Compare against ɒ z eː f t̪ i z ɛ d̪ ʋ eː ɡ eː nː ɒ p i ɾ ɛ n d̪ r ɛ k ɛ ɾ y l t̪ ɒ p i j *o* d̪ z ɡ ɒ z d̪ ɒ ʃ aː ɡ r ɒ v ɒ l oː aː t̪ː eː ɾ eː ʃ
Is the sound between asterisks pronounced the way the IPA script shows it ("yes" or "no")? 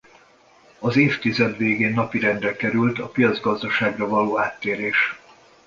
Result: no